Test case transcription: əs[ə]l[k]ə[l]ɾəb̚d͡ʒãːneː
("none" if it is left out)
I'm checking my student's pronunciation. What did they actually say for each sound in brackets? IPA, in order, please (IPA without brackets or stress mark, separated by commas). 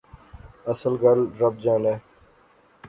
ə, ɡ, l